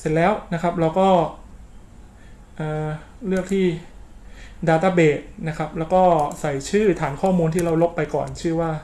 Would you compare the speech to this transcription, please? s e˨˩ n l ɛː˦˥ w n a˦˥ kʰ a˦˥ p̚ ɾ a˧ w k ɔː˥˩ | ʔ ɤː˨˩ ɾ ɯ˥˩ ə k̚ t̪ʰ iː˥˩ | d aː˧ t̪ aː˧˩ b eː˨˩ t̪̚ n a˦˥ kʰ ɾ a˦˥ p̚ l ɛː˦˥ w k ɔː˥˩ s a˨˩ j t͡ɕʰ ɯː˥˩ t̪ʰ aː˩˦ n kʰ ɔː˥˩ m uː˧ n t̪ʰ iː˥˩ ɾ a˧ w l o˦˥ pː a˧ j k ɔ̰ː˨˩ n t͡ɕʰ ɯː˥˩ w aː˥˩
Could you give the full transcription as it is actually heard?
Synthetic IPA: s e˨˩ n l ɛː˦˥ w n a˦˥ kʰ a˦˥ p̚ ɾ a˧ w k ɔː˥˩ | ʔ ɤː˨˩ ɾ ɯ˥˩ ə k̚ t̪ʰ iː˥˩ | d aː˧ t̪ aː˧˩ b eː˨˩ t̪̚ n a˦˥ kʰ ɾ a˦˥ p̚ l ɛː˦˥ w k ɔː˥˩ s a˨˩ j t͡ɕʰ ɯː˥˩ t̪ʰ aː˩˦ n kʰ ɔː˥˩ m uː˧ n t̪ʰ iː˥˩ ɾ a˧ w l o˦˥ pː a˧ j k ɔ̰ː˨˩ n t͡ɕʰ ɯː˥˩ w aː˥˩

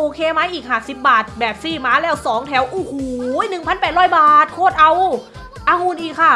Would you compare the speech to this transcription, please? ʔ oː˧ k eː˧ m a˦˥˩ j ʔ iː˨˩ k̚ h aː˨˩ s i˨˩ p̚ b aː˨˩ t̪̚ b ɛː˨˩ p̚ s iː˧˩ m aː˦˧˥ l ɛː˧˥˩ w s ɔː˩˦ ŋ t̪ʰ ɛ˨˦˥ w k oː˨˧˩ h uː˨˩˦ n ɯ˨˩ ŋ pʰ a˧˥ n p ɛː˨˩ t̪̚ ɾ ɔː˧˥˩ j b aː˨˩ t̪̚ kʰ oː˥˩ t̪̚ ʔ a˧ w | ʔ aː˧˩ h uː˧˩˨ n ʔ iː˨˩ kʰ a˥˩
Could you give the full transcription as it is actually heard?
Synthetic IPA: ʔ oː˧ kʰ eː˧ m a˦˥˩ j ʔ iː˨˩ k̚ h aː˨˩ s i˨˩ p̚ b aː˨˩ t̪̚ b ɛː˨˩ p̚ s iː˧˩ m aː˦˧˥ l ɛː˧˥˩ w s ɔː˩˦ ŋ t̪ʰ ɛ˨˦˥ w ʔ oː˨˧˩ h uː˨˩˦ n ɯ˨˩ ŋ pʰ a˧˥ n p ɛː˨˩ t̪̚ ɾ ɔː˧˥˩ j b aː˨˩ t̪̚ kʰ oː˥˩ t̪̚ ʔ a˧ w | ʔ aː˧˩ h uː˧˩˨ n ʔ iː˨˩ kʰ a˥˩

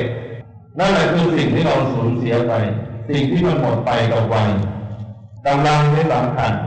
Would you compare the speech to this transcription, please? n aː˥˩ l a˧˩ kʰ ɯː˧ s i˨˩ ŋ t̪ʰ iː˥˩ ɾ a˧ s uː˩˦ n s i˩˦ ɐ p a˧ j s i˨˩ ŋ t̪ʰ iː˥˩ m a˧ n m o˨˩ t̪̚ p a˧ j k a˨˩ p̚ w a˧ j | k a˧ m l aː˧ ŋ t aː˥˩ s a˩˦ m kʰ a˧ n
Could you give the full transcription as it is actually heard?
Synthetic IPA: n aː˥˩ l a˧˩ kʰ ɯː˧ s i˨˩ ŋ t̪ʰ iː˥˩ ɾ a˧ s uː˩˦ n s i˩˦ ɐ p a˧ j s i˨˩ ŋ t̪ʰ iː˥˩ m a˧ n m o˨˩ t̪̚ p a˧ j k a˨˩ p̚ w a˧ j | k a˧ m l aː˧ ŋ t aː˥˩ s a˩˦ m kʰ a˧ n

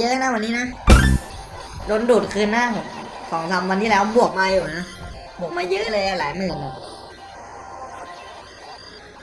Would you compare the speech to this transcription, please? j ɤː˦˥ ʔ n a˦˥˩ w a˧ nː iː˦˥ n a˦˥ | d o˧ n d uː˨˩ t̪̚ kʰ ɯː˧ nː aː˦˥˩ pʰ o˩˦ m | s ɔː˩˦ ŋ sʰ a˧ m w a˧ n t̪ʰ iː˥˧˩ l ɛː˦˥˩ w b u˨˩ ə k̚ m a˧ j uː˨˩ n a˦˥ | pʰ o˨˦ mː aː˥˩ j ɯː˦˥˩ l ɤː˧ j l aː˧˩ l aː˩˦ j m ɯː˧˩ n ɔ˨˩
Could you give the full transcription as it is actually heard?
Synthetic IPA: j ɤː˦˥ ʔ n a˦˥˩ w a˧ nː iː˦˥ n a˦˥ | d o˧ n d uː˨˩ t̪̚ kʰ ɯː˧ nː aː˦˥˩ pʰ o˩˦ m | s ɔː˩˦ ŋ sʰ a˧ m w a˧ n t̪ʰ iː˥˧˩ l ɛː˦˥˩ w b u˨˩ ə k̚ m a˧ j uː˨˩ n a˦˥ | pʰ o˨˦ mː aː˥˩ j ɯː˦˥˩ l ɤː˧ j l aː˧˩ l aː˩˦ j m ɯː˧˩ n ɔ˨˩

